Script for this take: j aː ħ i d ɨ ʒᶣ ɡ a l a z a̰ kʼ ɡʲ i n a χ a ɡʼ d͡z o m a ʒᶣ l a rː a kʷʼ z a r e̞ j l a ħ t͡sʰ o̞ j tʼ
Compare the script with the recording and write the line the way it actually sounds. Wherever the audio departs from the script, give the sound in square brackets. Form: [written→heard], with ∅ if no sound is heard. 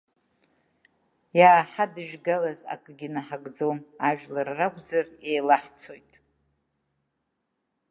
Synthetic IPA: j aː ħ [i→a] d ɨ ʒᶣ ɡ a l a z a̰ kʼ ɡʲ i n a [χ→ħ] a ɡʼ d͡z o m a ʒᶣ l a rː a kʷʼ z a r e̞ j l a ħ t͡sʰ o̞ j tʼ